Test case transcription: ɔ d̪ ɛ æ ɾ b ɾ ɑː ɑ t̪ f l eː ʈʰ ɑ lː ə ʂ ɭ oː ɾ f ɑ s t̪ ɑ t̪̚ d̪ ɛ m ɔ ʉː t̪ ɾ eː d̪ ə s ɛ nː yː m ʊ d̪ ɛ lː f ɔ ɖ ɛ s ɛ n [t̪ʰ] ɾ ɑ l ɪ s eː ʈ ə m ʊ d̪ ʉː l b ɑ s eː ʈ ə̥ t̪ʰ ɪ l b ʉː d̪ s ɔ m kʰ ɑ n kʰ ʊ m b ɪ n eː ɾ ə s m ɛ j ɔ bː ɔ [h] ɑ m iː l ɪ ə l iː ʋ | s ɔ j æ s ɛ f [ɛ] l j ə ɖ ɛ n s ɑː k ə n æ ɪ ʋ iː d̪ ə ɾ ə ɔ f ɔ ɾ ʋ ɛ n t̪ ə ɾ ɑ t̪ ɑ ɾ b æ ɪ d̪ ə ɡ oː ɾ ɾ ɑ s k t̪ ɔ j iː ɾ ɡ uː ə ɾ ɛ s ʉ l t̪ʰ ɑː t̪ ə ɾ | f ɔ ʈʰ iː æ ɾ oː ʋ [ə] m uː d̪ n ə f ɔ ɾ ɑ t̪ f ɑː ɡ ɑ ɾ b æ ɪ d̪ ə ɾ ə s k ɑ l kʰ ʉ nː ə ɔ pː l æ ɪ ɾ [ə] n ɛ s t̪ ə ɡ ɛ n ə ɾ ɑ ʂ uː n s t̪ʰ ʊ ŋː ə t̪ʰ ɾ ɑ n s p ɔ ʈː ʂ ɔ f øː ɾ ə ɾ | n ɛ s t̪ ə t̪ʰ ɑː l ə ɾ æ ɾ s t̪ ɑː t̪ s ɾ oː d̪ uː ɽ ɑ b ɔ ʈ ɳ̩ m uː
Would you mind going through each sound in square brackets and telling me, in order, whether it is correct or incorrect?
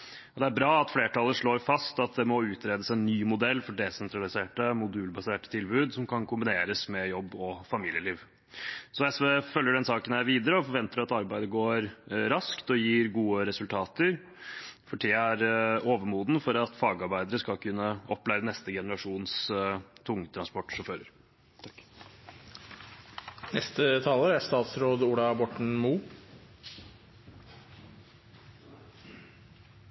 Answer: incorrect: t̪, incorrect: f, incorrect: œ, correct, correct

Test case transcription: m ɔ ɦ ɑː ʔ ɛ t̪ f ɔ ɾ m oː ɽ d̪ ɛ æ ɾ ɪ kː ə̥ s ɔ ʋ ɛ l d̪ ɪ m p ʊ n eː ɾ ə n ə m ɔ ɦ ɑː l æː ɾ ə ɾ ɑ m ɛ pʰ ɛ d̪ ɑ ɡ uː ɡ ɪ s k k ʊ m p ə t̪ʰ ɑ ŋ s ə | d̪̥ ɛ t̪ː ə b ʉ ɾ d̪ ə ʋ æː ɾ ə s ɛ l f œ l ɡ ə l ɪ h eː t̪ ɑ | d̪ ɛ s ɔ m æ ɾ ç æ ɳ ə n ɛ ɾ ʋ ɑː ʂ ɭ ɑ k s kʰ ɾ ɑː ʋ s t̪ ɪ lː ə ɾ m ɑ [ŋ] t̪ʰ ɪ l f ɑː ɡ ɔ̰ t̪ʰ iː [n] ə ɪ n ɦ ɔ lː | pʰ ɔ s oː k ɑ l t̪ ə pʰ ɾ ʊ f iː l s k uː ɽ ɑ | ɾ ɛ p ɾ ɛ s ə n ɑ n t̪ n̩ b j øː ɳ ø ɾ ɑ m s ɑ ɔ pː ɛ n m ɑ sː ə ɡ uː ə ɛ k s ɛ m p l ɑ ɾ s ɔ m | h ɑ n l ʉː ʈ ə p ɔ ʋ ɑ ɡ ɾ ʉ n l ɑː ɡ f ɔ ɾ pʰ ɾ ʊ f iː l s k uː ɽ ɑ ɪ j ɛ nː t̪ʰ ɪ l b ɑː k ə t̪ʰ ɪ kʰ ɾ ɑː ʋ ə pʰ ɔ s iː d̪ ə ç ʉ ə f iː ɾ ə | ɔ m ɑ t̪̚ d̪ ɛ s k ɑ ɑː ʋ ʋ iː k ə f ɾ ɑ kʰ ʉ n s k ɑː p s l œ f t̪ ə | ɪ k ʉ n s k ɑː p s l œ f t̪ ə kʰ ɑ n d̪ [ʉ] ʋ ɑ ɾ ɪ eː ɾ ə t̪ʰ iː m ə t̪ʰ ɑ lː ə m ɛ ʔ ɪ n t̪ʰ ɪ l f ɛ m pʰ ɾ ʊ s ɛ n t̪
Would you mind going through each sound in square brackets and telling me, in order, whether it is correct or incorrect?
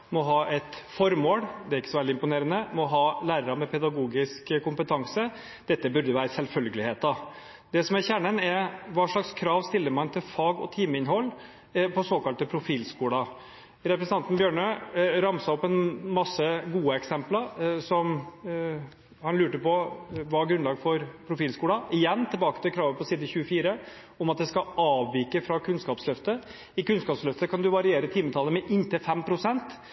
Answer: incorrect: n, incorrect: m, correct

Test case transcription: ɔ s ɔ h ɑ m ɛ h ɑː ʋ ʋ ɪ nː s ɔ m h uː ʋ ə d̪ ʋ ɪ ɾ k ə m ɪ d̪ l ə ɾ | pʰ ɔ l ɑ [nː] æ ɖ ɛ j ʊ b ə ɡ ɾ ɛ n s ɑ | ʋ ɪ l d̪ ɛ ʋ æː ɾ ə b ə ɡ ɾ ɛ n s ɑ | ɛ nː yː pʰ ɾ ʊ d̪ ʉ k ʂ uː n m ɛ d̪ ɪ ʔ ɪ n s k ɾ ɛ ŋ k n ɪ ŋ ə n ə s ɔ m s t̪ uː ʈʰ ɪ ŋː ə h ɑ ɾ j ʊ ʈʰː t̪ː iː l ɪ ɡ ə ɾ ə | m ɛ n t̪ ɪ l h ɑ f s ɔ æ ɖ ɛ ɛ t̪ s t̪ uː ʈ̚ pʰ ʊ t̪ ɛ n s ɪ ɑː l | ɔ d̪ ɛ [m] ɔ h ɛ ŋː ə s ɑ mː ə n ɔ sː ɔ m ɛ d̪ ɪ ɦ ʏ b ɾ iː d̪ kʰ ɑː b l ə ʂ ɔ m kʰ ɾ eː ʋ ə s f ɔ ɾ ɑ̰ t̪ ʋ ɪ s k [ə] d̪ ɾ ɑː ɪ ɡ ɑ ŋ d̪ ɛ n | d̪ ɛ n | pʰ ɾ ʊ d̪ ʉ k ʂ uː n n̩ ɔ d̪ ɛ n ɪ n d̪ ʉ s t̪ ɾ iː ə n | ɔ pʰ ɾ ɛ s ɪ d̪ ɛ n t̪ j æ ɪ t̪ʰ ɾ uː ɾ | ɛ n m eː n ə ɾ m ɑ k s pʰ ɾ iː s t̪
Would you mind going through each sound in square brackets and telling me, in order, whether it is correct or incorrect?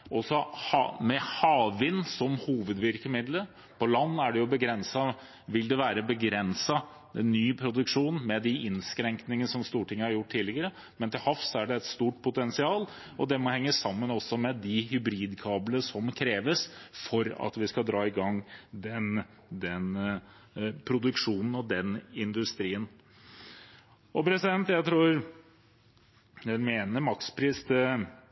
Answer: correct, correct, incorrect: ɑ

